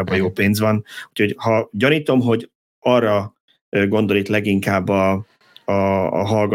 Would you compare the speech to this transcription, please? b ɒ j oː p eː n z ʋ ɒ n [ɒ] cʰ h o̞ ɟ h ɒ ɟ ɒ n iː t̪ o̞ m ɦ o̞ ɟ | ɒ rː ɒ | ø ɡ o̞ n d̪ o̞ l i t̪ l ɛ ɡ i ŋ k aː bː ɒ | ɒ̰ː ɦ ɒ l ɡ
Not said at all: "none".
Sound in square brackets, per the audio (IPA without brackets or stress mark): u